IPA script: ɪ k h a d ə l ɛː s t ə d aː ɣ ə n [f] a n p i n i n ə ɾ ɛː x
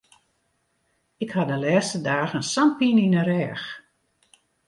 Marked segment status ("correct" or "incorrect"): incorrect